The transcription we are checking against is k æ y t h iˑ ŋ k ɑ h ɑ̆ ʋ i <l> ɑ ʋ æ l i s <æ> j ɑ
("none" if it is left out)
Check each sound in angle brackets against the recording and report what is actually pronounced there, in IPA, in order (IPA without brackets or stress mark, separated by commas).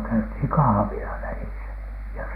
l, æ